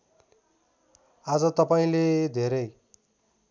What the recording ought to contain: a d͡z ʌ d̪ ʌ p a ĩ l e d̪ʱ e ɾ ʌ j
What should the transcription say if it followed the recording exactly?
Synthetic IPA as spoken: a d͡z ʌ t̪ ʌ p a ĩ l e d̪ʱ e ɾ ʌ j

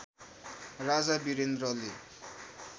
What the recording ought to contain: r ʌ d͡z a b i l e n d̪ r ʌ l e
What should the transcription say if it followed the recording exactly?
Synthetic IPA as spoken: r a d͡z a b i ɾ e n d̪ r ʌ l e

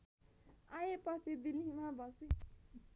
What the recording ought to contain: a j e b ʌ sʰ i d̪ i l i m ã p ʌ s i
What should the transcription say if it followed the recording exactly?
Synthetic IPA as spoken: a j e p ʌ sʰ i d̪ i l i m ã b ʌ s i

